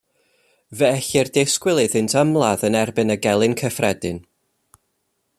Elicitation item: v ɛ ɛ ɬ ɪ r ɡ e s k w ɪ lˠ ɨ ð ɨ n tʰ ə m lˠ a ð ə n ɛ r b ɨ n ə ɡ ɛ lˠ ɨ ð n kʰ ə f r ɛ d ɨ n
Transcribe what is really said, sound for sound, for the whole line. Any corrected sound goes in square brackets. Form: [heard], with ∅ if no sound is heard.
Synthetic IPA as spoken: v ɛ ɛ ɬ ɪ r [d] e s k w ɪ lˠ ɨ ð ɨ n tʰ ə m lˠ a ð ə n ɛ r b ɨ n ə ɡ ɛ lˠ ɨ [∅] n kʰ ə f r ɛ d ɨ n